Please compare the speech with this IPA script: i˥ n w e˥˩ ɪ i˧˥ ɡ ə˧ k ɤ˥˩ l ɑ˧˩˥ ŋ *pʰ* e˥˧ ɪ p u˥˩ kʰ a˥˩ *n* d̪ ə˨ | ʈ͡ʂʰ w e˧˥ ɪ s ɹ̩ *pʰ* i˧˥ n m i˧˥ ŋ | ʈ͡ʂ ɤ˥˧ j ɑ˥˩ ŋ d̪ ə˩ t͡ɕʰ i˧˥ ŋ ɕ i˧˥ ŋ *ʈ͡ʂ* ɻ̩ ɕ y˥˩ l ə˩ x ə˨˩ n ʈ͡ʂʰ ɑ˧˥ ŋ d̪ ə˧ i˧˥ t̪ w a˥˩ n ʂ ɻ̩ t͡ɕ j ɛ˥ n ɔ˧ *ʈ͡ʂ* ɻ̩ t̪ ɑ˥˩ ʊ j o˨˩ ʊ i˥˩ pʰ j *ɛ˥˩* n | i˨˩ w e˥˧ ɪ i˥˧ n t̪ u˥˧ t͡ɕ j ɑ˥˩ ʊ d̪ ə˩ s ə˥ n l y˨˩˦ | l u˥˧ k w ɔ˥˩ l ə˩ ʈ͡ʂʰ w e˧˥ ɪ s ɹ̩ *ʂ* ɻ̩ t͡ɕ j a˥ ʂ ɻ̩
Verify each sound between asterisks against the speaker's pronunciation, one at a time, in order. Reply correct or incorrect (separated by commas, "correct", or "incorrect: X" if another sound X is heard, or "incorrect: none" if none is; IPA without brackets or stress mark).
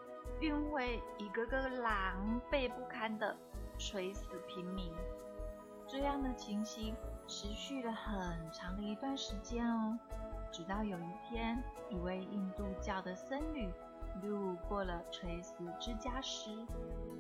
incorrect: p, correct, correct, incorrect: ʈ͡ʂʰ, correct, incorrect: ɛ˥, incorrect: ʈ͡ʂ